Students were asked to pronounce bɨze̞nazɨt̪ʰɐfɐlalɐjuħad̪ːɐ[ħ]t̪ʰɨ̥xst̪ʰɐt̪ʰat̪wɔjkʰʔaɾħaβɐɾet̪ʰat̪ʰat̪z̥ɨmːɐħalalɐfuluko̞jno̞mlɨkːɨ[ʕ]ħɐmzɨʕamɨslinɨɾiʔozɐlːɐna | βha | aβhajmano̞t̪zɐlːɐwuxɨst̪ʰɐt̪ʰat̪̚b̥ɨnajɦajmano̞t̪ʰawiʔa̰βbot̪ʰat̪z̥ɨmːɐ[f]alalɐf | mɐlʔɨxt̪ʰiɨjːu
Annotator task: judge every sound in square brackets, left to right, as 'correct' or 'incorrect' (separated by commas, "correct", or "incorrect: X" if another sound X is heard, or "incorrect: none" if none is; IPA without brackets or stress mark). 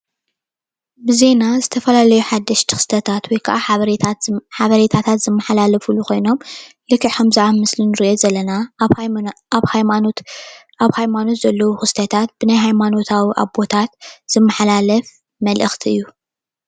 incorrect: ʃ, correct, incorrect: ħ